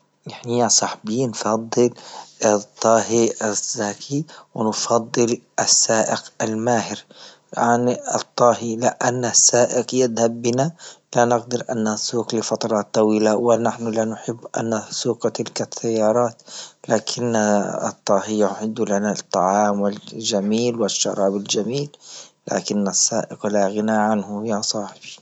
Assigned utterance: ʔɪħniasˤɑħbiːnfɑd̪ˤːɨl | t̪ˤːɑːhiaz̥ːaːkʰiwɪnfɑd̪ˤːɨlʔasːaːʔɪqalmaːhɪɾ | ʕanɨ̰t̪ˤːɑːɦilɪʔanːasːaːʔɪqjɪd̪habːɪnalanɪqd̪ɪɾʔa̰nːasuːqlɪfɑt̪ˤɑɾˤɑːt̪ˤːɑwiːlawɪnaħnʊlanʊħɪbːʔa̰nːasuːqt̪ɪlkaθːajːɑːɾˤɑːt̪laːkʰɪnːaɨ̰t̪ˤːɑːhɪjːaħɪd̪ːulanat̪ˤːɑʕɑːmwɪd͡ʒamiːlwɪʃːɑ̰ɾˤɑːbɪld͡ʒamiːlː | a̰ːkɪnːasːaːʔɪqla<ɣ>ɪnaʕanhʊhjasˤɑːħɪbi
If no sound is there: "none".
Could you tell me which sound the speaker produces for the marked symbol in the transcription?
ɣ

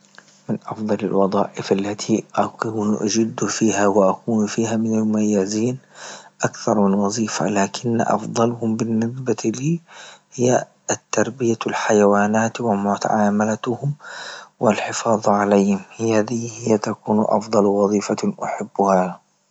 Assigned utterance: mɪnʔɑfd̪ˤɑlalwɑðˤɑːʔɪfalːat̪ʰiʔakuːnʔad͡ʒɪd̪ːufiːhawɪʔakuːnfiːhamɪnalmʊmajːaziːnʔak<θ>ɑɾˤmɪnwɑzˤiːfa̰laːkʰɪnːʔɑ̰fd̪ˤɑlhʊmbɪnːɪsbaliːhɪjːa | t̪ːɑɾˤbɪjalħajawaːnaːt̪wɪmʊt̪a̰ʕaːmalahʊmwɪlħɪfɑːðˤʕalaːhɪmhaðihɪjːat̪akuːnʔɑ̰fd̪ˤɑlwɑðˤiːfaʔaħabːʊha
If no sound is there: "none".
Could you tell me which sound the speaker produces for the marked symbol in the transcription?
θ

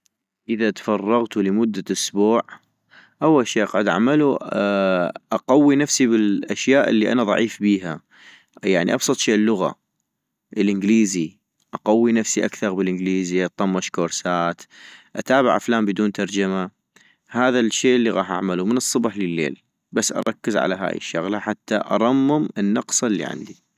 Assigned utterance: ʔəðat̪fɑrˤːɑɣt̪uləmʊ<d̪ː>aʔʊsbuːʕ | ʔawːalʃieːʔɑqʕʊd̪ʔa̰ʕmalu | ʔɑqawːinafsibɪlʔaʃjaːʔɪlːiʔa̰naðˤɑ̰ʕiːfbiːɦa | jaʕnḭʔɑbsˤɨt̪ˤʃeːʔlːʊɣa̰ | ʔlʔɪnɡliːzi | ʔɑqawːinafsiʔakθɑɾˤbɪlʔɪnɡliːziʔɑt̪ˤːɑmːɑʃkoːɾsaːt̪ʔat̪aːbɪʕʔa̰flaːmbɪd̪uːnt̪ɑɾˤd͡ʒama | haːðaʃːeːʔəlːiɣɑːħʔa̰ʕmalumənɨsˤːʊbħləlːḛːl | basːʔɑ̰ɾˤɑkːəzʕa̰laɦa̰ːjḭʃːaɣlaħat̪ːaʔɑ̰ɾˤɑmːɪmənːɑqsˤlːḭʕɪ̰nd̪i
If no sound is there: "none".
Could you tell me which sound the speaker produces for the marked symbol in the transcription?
d̪ː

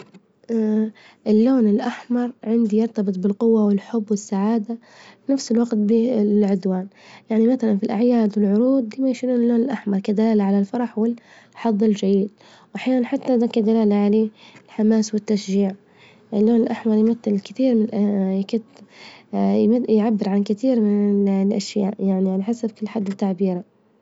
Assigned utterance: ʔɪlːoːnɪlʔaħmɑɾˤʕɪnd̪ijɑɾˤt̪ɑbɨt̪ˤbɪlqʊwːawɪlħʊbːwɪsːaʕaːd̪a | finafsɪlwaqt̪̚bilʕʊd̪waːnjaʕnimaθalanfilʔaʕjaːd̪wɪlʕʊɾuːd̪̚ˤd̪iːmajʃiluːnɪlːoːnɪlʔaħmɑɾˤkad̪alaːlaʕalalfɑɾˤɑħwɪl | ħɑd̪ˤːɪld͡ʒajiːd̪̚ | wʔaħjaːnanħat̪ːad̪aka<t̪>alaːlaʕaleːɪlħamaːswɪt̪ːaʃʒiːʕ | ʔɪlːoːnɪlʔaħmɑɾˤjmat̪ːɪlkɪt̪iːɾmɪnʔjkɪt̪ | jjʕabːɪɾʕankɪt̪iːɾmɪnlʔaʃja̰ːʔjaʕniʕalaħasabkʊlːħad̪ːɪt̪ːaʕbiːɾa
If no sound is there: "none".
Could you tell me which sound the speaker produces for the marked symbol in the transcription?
d̪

